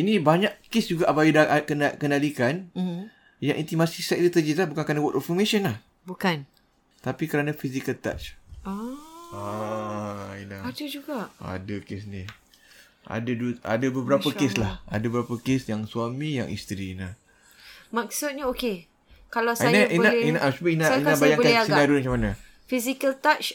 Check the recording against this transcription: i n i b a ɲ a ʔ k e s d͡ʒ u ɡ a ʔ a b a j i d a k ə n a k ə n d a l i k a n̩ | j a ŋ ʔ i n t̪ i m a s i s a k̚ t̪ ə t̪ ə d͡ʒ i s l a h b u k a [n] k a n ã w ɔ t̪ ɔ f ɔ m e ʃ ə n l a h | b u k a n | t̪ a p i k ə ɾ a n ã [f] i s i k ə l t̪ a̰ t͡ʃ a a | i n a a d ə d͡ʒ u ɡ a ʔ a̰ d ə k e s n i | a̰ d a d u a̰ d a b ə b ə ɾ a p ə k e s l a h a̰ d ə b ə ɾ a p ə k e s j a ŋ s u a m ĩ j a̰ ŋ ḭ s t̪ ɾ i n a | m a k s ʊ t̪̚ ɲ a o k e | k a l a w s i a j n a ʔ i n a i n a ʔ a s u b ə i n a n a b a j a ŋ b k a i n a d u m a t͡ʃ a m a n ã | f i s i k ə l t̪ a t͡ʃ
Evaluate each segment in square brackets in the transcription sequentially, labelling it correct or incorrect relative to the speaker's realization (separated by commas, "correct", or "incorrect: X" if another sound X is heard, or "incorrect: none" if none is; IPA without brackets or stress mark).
correct, correct